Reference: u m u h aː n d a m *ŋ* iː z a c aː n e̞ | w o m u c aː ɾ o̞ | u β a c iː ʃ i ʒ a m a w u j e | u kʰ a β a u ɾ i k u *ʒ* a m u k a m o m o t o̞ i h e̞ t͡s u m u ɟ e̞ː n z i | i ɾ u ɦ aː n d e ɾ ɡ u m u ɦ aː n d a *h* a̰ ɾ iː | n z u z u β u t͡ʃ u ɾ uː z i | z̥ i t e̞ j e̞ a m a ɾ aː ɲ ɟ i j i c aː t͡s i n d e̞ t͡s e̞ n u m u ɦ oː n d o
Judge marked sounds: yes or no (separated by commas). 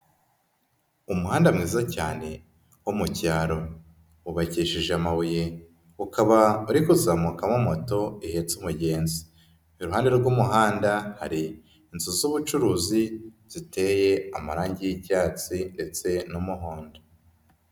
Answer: yes, no, yes